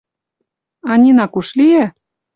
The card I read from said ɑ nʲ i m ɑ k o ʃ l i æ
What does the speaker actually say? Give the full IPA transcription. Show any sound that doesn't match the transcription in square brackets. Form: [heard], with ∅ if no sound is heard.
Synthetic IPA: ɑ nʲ i [n] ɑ k [u] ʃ l i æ

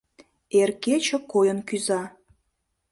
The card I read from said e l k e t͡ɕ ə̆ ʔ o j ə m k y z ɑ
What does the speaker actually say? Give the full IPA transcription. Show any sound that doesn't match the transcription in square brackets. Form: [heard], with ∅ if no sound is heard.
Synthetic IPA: e [r] k e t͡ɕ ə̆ [k] o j ə [n] k y z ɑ

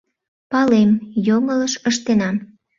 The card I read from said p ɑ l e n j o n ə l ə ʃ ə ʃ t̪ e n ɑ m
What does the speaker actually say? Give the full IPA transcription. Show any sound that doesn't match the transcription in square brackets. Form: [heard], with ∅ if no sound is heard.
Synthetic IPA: p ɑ l e [m] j o [ŋ] ə l ə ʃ ə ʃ t̪ e n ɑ m

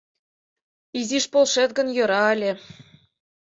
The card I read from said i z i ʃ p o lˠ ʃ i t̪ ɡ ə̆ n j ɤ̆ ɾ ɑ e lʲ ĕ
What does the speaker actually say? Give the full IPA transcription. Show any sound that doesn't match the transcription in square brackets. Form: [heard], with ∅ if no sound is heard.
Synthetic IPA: i z i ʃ p o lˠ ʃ [e] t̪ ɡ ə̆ n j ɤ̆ ɾ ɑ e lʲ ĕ

